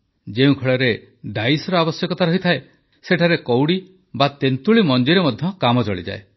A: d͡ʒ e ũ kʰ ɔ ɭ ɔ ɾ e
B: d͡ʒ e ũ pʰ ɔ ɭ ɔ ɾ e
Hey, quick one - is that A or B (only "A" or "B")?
A